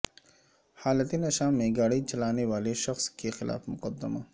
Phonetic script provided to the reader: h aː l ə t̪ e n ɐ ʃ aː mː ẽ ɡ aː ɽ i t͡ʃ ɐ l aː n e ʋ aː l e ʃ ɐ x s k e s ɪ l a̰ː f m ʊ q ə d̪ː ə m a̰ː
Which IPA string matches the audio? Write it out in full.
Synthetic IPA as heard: h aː l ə t̪ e n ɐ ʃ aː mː ẽ ɡ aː ɽ i t͡ʃ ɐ l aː n e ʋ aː l e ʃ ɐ x s k e x ɪ l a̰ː f m ʊ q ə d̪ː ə m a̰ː

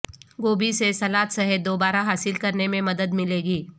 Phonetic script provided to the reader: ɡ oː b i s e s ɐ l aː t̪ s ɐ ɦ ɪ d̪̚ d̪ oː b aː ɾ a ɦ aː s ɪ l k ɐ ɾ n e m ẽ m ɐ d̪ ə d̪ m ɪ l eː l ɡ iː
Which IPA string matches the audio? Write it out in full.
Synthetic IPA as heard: ɡ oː b i s e s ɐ l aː t̪ s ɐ ɦ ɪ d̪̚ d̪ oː b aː ɾ a ɦ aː s ɪ l k ɐ ɾ n e m ẽ m ɐ d̪ ə d̪ m ɪ l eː ɡ iː

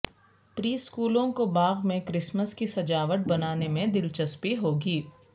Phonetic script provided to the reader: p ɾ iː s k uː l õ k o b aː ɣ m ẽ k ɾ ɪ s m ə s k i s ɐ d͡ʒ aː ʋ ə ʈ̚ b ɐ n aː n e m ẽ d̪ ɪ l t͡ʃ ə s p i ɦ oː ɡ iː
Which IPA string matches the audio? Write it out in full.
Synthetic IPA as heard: p ɾ iː s k uː l õ k o b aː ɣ m ẽ k ɾ ɪ s m ə s k i s ɐ d͡ʒ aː ʋ ə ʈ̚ b ɐ n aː n e m ẽ d̪ ɪ l t͡ʃ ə s p i ɦ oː ɡ iː

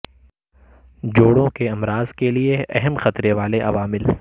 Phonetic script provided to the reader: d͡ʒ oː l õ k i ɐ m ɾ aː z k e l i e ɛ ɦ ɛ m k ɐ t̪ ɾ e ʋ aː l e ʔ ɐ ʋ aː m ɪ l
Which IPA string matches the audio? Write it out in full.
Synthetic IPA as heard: d͡ʒ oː ɽ õ k e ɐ m ɾ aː z k e l i e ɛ ɦ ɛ m x ɐ t̪ ɾ e ʋ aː l e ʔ ɐ ʋ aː m ɪ l

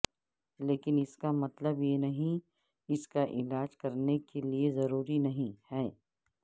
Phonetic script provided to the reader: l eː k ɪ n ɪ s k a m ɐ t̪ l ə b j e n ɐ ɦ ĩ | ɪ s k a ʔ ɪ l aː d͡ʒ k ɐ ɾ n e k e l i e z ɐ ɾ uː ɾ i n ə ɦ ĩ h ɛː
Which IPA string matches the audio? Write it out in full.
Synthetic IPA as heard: l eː k ɪ n ɪ s k a m ɐ t̪ l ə b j e n ɐ ɦ ĩ | ɪ s k a ʔ ɪ l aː d͡ʒ k ɐ ɾ n e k e l i e z ɐ ɾ uː ɾ i n ɐ ɦ ĩ h ɛː

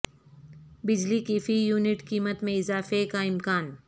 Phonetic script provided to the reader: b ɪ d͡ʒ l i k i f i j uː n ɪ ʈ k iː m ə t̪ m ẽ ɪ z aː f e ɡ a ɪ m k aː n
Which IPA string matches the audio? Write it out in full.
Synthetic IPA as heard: b ɪ d͡ʒ l i k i f i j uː n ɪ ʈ k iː m ə t̪ m ẽ ɪ z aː f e k a ɪ m k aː n

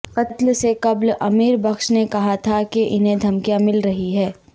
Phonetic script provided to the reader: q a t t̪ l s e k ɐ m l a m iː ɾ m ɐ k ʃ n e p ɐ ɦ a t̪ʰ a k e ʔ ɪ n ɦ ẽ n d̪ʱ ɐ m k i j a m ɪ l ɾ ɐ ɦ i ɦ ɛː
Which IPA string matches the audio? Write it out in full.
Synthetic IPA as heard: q ɐ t t̪ l s e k ɐ b l ɐ m iː ɾ b ɐ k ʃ n e k ɐ ɦ a t̪ʰ a k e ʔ ɪ n ɦ ẽ d̪ʱ ɐ m k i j a m ɪ l ɾ ɐ ɦ i ɦ ɛː

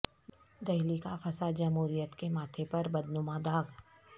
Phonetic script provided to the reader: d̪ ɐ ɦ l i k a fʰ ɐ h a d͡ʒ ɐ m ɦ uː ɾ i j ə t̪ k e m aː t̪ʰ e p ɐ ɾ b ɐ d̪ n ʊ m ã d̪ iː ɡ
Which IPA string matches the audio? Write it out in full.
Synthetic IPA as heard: d̪ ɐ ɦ l i k a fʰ ɐ s a d͡ʒ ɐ m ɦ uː ɾ i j ə t̪ k e m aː t̪ʰ e p ɐ ɾ b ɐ d̪ n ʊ m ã d̪ aː ɡ

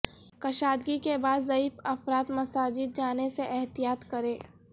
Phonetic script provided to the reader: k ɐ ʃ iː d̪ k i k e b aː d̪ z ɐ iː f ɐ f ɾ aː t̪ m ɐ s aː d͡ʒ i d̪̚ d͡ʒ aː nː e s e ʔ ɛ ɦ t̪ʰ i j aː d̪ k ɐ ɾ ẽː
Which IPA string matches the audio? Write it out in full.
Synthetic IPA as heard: k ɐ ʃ aː d̪ ɡ i k e b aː d̪ z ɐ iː f ɐ f ɾ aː t̪ m ɐ s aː d͡ʒ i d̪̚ d͡ʒ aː n e s e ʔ ɛ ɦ t̪ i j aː t̪ k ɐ ɾ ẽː

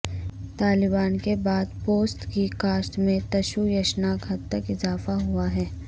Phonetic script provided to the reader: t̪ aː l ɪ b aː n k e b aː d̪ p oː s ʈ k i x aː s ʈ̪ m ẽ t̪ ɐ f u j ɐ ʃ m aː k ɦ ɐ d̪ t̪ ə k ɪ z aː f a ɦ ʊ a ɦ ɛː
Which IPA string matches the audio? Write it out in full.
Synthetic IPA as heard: t̪ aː l ɪ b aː n k e b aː d̪ p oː s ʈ k i k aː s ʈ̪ m ẽ t̪ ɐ ʃ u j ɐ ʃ n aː k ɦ ɐ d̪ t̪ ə k ɪ z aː f a ɦ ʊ a ɦ ɛː

